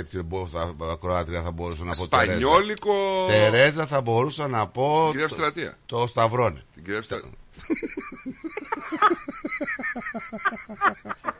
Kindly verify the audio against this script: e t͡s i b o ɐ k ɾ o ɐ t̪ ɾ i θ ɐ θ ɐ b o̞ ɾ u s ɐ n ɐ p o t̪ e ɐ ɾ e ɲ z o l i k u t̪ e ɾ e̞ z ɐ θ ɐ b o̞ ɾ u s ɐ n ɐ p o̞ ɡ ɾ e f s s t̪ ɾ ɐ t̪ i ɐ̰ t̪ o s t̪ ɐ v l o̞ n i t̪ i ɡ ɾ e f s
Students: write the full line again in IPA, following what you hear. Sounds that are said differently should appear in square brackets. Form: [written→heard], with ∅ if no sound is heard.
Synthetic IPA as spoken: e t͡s i b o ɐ k ɾ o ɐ t̪ ɾ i [θ→∅] ɐ θ ɐ b o̞ ɾ u s ɐ n ɐ p o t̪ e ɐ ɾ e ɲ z o l i k [u→o] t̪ e ɾ e̞ z ɐ θ ɐ b o̞ ɾ u s ɐ n ɐ p o̞ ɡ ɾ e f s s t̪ ɾ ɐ t̪ i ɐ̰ t̪ o s t̪ ɐ v [l→ɾ] o̞ n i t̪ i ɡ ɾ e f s